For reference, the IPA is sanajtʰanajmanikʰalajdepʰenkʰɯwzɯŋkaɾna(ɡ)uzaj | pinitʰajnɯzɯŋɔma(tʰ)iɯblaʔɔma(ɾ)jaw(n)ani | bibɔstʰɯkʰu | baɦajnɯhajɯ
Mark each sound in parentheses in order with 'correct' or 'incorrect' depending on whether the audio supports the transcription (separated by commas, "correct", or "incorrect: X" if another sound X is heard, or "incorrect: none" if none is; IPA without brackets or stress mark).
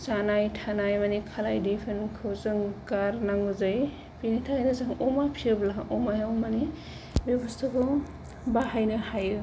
incorrect: ŋ, incorrect: pʰ, incorrect: none, incorrect: m